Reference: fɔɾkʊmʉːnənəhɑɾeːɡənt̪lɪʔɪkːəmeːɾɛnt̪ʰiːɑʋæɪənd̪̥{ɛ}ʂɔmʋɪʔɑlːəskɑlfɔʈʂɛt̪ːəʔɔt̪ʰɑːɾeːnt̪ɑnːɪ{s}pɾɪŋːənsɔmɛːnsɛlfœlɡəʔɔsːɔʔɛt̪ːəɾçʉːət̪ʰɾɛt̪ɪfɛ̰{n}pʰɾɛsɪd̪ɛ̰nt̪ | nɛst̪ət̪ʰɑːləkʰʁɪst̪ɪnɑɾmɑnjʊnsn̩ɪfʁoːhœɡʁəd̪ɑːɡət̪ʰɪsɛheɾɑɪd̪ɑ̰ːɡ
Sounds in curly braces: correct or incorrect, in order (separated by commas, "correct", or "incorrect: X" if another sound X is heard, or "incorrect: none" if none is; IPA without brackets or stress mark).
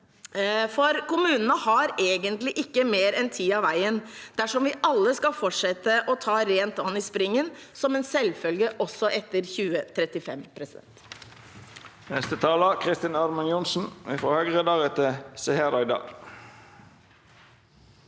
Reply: incorrect: æ, correct, incorrect: m